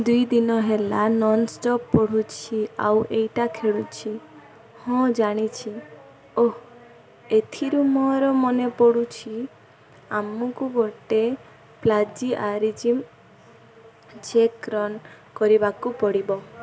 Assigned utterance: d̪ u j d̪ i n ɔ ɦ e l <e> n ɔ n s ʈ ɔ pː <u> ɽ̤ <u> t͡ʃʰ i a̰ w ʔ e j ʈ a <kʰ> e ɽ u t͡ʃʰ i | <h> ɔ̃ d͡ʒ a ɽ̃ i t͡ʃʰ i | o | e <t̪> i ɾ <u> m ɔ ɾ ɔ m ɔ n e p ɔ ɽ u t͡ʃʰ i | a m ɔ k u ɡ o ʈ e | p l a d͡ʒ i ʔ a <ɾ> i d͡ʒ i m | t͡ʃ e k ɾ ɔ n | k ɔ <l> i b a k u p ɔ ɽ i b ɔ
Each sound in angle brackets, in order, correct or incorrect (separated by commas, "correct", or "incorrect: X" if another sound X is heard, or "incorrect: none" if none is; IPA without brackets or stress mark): incorrect: a, incorrect: ɔ, correct, correct, correct, incorrect: t̪ʰ, correct, correct, incorrect: ɾ